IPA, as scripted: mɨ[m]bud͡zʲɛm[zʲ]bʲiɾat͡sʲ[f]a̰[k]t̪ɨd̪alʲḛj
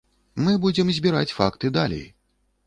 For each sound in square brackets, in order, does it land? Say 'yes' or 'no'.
no, yes, yes, yes

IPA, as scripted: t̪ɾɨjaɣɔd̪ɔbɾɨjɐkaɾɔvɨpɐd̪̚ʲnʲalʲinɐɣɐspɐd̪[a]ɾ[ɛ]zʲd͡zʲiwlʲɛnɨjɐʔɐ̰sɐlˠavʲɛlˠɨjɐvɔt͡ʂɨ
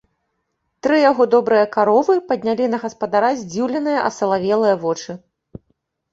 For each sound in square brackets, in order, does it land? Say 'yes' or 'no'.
yes, no

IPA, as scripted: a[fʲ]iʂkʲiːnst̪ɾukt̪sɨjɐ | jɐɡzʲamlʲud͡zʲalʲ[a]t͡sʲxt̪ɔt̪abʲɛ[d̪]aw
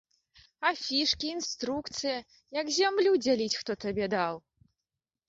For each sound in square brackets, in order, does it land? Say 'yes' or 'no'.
yes, no, yes

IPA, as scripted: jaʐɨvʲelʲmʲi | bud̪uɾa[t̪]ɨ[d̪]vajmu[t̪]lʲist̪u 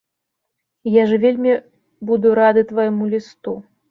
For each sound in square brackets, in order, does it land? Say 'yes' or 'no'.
no, no, no

